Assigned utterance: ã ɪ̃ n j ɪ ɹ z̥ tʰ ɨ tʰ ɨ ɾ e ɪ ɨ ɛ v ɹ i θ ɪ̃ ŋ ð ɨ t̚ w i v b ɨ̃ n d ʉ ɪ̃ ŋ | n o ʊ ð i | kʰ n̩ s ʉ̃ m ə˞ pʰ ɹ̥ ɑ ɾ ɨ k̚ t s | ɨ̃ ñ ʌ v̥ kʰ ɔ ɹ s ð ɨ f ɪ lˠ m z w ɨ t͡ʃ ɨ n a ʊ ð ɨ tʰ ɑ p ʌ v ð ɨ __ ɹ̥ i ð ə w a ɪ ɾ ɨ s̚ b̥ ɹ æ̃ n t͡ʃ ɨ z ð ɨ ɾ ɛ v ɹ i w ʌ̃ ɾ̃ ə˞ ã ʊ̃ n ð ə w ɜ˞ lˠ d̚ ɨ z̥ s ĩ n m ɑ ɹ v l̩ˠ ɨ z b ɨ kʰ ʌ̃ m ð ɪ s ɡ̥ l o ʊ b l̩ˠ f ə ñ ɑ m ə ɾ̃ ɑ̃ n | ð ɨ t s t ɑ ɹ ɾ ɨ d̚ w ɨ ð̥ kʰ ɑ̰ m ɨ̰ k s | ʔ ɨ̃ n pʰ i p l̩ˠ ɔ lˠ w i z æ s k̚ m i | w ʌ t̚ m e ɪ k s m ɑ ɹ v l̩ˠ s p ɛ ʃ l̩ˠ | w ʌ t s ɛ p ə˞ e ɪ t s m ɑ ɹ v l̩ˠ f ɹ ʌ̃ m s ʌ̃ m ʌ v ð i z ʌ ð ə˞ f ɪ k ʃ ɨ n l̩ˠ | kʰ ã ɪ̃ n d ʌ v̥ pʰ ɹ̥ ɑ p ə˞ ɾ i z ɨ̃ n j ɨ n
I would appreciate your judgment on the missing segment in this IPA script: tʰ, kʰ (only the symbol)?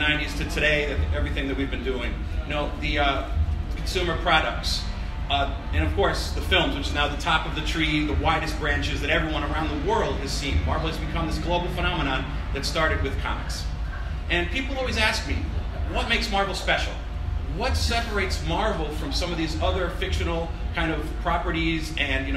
tʰ